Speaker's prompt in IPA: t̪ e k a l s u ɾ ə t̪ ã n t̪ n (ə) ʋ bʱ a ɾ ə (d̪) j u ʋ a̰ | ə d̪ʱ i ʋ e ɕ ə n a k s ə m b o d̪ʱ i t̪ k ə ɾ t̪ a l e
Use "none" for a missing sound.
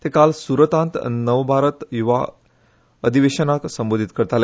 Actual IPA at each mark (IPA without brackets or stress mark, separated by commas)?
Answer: ə, t̪